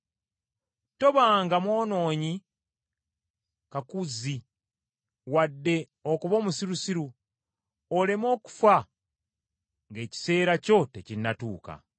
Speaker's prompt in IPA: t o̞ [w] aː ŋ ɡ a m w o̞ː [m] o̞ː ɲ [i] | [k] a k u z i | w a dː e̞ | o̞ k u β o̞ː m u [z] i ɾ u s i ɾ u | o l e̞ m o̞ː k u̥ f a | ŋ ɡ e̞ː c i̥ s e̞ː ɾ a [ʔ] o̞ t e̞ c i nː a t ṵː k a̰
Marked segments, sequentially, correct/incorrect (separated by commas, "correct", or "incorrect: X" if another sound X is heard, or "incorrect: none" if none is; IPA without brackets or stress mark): incorrect: β, incorrect: n, correct, correct, incorrect: s, incorrect: c